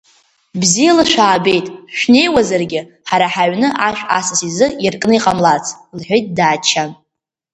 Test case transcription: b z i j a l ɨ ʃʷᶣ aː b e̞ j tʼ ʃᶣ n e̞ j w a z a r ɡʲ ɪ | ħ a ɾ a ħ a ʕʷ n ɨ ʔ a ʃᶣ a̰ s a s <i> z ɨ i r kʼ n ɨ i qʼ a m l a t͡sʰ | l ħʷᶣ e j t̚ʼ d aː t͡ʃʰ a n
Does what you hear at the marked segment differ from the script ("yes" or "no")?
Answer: no